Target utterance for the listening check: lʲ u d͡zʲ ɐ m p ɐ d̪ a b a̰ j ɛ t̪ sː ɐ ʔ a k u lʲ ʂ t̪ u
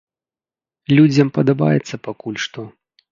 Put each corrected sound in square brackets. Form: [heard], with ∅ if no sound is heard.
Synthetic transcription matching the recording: lʲ u d͡zʲ ɐ m p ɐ d̪ a b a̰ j ɛ t̪ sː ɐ [p] a k u lʲ ʂ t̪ [ɔ]

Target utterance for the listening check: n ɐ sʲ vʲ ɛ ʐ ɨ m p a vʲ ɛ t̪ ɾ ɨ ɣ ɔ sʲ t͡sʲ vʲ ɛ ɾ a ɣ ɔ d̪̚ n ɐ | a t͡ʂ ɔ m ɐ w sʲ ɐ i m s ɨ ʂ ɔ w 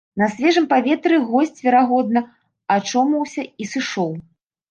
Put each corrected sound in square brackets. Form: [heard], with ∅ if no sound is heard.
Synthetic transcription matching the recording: n ɐ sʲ vʲ ɛ ʐ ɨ m p a vʲ ɛ t̪ ɾ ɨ ɣ ɔ sʲ t͡sʲ vʲ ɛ ɾ a ɣ ɔ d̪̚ n ɐ | a t͡ʂ ɔ m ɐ w sʲ ɐ i [∅] s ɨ ʂ ɔ w

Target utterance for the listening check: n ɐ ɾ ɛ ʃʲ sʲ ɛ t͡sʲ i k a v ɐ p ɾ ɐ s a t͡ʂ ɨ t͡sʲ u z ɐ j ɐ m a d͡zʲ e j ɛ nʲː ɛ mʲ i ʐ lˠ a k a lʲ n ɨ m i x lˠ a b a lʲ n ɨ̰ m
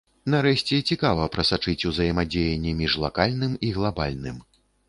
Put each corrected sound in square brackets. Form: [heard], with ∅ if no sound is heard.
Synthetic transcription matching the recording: n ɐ ɾ ɛ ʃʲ [t͡sʲ] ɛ t͡sʲ i k a v ɐ p ɾ ɐ s a t͡ʂ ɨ t͡sʲ u z ɐ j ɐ m a d͡zʲ e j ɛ nʲː ɛ mʲ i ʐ lˠ a k a lʲ n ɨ m i [ɣ] lˠ a b a lʲ n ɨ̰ m

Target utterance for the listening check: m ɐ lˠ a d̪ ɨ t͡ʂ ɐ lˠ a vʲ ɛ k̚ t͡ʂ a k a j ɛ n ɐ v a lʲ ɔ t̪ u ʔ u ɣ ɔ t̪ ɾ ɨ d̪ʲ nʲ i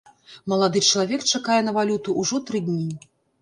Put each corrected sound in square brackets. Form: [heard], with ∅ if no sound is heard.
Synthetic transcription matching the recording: m ɐ lˠ a d̪ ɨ t͡ʂ ɐ lˠ a vʲ ɛ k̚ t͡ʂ a k a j ɛ n ɐ v a lʲ [u] t̪ u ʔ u [ʐ] ɔ t̪ ɾ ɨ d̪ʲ nʲ i

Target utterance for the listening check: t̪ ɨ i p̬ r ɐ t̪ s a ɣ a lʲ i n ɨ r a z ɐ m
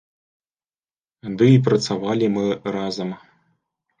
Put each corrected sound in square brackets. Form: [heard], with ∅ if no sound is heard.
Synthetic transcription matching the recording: [d̪] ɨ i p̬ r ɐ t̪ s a [v] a lʲ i [m] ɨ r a z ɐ m

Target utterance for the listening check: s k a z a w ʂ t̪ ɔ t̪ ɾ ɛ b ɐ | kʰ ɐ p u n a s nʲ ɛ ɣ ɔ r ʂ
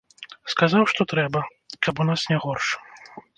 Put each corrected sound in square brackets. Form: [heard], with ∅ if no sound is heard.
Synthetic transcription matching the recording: s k a z a w ʂ t̪ ɔ t̪ ɾ ɛ b ɐ | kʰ ɐ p u n a s nʲ ɛ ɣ ɔ r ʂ

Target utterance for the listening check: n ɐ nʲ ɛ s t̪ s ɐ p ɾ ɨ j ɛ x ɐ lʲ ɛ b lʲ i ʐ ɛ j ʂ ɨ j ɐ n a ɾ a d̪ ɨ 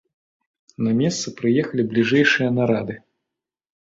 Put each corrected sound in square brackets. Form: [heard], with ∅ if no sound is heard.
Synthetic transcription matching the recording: n ɐ [mʲ] ɛ s t̪ s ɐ p ɾ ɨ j ɛ x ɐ lʲ [i] b lʲ i ʐ ɛ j ʂ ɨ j ɐ n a ɾ a d̪ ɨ

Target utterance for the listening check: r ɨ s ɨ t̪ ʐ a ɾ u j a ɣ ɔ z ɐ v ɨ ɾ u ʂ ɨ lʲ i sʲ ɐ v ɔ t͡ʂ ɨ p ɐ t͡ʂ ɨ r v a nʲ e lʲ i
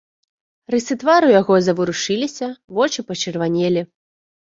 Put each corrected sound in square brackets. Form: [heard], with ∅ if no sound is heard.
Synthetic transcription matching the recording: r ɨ s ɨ t̪ [v] a ɾ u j a ɣ ɔ z ɐ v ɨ ɾ u ʂ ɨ lʲ i sʲ ɐ v ɔ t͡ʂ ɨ p ɐ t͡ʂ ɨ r v a nʲ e lʲ i

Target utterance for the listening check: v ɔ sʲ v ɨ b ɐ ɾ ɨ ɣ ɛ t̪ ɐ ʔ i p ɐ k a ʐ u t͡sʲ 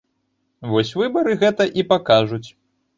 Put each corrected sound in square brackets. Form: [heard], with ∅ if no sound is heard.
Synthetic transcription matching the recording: v ɔ sʲ v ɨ b ɐ ɾ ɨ ɣ ɛ t̪ ɐ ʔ i p [a] k a ʐ u t͡sʲ

